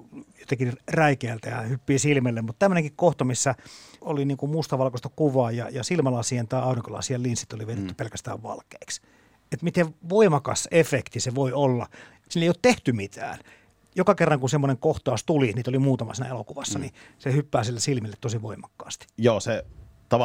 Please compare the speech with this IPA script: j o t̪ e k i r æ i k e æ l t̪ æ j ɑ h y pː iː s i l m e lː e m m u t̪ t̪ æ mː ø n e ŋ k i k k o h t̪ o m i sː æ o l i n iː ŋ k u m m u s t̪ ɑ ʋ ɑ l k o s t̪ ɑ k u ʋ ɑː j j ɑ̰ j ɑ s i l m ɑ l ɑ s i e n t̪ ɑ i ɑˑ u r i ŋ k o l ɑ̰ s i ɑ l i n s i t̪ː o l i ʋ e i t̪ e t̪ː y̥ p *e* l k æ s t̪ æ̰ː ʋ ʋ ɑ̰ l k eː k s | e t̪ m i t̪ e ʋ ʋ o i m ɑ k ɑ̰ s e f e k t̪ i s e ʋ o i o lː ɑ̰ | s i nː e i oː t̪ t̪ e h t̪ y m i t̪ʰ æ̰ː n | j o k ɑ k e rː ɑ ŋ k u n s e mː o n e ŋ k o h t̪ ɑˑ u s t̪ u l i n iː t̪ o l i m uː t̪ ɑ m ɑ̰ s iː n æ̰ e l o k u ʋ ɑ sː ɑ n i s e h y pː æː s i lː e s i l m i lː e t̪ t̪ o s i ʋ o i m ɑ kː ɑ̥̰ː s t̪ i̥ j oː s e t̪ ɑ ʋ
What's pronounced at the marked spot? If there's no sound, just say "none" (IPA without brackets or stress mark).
e